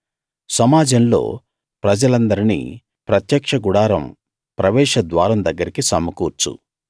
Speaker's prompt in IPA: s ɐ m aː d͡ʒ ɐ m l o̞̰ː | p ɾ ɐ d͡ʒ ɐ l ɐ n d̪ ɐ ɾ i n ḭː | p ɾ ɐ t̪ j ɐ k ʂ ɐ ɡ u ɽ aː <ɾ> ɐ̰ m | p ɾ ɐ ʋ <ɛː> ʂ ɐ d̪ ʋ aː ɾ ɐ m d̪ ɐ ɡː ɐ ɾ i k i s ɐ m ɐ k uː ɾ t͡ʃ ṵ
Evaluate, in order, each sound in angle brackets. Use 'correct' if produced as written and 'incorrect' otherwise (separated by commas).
correct, correct